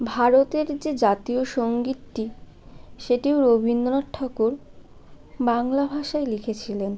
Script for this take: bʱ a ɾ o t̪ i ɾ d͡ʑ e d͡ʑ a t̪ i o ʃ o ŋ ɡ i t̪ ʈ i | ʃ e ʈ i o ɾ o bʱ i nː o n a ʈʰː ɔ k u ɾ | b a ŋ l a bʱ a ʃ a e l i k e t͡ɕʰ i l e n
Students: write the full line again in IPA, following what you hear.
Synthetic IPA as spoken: bʱ a ɾ o t̪ e ɾ d͡ʑ e d͡ʑ a t̪ i o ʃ o ŋ ɡ i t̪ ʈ i | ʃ e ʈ i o ɾ o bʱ i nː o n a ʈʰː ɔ k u ɾ | b a ŋ l a bʱ a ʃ a e l i kʰ e t͡ɕʰ i l e n